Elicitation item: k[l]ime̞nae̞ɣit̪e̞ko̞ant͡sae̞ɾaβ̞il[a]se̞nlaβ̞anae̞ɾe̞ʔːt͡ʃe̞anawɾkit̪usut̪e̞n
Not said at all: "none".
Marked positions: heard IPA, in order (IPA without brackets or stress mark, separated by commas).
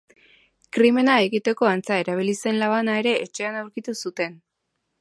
ɾ, i